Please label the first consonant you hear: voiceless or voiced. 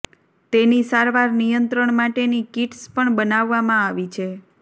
voiceless